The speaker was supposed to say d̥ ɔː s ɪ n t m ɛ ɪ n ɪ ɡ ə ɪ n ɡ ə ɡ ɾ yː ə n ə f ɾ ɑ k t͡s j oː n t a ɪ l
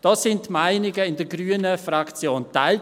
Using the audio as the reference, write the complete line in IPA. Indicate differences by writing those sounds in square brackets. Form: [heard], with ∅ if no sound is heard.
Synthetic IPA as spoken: d̥ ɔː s ɪ n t m [a] ɪ n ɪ ɡ ə ɪ n [d] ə ɡ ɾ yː ə n ə f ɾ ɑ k t͡s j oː n t a ɪ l